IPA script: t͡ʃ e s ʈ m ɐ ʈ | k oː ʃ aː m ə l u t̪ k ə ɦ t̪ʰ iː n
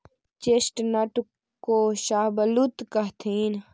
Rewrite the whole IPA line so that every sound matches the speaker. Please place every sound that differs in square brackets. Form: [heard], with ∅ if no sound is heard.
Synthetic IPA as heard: t͡ʃ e s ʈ [n] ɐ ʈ | k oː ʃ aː [b] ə l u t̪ k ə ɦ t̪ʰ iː n